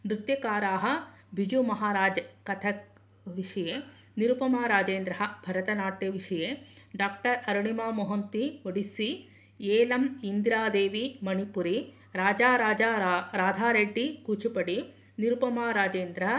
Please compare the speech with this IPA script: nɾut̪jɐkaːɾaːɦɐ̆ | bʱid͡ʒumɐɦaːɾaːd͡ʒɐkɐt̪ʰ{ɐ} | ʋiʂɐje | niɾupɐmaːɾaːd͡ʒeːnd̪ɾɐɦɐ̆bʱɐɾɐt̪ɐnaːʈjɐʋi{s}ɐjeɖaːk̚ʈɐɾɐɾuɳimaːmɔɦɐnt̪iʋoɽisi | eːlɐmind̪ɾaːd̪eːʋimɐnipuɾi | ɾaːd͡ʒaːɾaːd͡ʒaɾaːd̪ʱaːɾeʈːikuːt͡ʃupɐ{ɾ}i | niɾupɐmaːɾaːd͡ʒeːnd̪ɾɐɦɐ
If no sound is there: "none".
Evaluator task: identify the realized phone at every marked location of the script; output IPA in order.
ɐ, ʂ, ɽ

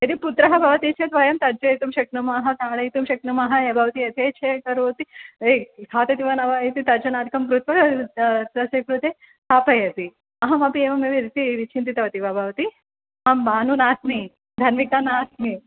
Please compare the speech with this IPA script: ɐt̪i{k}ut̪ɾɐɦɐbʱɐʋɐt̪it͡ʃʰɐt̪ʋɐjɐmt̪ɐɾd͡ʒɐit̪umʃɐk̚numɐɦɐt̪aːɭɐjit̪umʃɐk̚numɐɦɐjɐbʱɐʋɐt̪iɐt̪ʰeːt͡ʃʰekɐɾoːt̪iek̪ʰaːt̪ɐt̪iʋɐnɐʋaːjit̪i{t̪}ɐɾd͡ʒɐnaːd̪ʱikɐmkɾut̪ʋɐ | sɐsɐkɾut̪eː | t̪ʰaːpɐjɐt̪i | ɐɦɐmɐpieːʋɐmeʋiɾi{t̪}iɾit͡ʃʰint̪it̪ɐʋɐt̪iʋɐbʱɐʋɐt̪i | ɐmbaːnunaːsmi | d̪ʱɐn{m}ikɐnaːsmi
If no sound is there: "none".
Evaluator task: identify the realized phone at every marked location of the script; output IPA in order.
p, t̪, t̪, m

